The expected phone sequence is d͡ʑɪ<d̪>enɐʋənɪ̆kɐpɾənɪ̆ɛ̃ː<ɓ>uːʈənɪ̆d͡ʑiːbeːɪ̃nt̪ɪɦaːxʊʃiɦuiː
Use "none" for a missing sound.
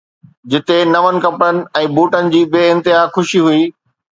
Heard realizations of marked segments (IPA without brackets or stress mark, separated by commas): t̪, b